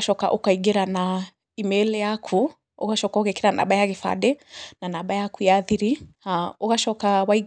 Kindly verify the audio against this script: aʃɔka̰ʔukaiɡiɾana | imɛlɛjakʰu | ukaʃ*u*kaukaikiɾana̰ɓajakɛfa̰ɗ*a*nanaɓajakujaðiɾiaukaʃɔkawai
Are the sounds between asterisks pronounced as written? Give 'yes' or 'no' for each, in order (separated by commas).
no, no